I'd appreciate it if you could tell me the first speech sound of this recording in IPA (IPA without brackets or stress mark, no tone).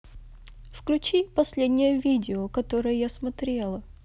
f